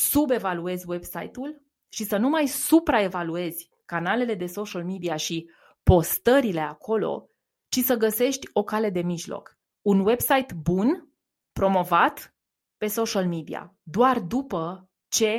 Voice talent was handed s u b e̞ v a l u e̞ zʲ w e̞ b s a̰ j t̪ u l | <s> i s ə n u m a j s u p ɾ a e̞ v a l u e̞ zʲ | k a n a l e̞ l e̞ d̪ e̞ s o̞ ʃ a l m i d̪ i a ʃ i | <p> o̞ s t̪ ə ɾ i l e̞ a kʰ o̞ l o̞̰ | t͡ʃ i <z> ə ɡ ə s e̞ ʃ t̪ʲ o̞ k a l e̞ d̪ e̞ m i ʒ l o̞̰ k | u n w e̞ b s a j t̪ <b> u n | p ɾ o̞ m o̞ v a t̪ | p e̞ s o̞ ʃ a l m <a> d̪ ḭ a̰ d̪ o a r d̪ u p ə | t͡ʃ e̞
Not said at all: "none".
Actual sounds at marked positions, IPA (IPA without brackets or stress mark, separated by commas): ʃ, p, s, b, i